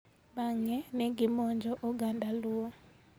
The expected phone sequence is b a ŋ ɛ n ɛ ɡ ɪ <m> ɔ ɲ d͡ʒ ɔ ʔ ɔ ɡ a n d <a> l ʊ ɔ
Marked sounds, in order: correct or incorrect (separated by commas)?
correct, correct